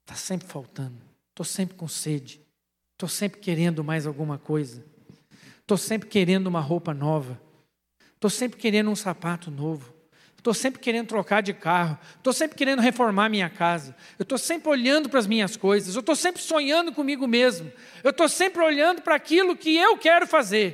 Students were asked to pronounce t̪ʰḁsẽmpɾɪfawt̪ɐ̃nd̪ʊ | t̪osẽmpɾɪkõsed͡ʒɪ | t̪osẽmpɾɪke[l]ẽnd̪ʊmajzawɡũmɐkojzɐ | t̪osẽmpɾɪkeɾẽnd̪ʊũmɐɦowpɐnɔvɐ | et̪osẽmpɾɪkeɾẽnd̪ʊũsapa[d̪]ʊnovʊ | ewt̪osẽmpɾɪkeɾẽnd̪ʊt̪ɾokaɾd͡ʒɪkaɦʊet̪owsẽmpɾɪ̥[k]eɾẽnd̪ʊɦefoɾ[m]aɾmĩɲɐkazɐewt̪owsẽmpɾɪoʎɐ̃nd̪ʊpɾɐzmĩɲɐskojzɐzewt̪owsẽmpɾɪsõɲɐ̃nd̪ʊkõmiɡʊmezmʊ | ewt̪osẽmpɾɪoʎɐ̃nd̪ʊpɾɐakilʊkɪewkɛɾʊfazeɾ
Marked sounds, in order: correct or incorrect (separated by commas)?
incorrect, incorrect, correct, correct